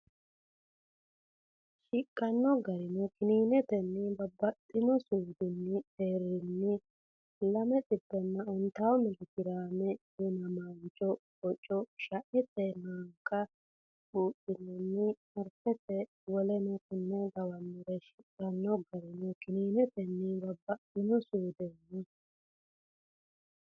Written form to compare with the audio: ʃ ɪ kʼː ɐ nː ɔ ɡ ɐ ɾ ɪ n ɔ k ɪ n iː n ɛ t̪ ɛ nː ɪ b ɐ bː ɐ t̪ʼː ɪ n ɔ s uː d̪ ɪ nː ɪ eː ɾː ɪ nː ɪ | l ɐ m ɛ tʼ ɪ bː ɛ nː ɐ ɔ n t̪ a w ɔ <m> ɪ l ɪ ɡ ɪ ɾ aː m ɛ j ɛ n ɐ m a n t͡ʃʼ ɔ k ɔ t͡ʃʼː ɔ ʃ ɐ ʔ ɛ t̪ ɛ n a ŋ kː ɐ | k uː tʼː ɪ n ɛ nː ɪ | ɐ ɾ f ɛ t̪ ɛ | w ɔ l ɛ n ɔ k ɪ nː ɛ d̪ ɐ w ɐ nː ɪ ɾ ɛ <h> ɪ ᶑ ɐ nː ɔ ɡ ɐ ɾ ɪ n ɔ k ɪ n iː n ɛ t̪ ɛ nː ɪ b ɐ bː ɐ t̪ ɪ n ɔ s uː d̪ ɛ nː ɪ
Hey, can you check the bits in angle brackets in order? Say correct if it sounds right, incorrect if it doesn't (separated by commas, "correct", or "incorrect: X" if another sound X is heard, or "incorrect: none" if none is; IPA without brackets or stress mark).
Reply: correct, incorrect: ʃ